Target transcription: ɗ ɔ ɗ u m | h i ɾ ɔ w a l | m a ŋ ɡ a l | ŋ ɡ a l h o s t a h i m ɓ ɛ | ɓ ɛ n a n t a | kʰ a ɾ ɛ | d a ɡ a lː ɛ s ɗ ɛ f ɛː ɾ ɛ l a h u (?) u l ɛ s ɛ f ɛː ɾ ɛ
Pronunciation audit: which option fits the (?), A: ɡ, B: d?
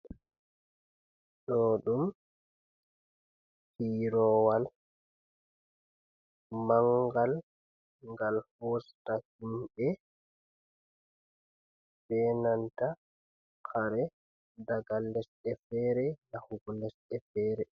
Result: A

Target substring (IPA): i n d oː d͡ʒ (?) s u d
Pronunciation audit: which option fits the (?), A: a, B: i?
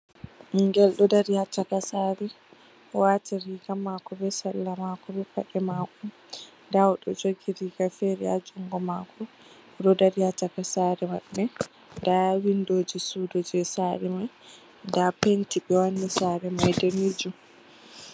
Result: B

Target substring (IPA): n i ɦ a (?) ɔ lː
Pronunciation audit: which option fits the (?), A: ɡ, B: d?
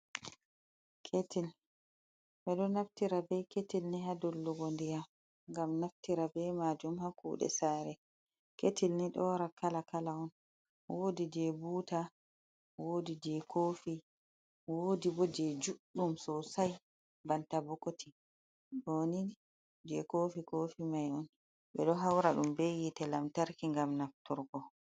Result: B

